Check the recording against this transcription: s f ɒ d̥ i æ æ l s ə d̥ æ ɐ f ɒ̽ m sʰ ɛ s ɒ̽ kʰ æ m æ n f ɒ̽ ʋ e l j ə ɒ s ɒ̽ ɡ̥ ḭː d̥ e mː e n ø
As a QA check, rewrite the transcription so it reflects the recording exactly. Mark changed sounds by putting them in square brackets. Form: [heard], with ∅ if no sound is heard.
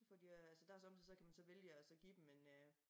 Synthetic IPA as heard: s f ɒ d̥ i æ æ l s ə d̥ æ ɐ [s] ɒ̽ m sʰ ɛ s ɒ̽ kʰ æ m æ n [s] ɒ̽ ʋ e l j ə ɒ s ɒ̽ ɡ̥ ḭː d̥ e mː e n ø